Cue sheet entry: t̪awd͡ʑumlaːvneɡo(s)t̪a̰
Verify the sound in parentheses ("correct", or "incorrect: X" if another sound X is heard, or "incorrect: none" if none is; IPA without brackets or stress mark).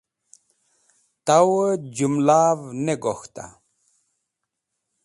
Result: incorrect: x